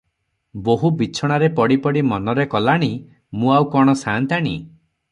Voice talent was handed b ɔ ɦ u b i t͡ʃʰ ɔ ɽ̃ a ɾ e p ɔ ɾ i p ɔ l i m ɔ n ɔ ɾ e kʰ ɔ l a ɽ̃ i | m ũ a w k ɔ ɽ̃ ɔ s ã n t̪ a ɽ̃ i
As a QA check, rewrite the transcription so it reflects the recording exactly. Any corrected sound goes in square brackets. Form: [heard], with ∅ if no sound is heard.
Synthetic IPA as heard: b [o] ɦ u b i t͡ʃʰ ɔ ɽ̃ a ɾ e p ɔ [ɽ] i p ɔ [ɽ] i m ɔ n ɔ ɾ e [k] ɔ l a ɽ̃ i | m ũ a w k ɔ ɽ̃ ɔ s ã n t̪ a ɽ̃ i